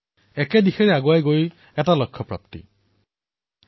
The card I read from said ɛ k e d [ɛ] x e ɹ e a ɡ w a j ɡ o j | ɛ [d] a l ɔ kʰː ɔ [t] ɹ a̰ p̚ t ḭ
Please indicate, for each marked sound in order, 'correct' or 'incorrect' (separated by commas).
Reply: incorrect, incorrect, incorrect